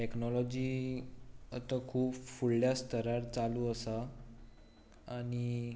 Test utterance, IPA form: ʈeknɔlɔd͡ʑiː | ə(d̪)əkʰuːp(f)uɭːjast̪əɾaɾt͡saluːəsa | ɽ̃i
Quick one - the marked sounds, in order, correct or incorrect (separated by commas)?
incorrect, correct